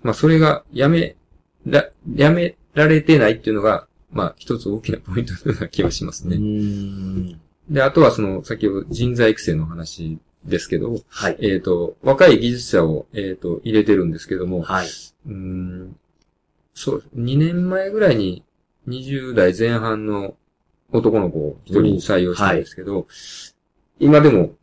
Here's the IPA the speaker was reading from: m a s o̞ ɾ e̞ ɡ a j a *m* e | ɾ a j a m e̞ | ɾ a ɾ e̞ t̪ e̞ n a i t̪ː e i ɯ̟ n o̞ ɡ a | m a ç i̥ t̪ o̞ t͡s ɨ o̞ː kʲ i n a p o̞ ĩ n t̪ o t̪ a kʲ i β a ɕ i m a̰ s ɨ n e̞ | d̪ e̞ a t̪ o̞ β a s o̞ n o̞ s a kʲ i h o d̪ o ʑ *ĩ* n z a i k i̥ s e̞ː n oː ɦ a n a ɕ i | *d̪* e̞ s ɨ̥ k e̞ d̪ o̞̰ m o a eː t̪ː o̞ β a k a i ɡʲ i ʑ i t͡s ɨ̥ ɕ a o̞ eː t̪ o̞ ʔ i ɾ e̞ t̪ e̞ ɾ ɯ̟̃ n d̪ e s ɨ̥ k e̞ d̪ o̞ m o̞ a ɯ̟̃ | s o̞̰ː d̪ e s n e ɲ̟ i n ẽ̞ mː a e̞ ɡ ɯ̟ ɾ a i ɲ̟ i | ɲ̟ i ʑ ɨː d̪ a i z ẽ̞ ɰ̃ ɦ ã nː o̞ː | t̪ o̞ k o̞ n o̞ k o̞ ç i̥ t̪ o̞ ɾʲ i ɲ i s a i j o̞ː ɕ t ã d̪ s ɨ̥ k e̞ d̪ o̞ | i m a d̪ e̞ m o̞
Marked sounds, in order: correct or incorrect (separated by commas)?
correct, correct, correct